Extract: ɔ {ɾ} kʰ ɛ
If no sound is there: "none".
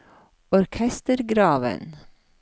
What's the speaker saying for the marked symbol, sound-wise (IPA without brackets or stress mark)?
ɾ